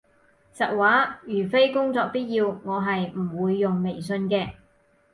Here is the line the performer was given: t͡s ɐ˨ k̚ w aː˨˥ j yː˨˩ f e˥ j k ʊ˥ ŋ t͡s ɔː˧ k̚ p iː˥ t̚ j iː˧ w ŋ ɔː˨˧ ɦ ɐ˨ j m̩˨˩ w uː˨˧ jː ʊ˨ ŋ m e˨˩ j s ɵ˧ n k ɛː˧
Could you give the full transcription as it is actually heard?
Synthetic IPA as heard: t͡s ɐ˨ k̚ w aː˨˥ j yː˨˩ f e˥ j k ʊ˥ ŋ t͡s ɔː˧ k̚ p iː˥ t̚ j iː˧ w ŋ ɔː˨˧ ɦ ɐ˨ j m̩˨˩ w uː˨˧ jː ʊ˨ ŋ m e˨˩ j s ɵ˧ n k ɛː˧